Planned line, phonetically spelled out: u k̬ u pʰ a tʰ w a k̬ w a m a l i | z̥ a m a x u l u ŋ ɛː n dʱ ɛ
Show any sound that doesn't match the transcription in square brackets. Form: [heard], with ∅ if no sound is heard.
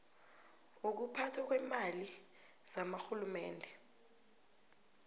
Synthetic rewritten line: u k̬ u pʰ a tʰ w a k̬ w [ɛ] m a l i | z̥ a m a x u l u [m] ɛː n dʱ ɛ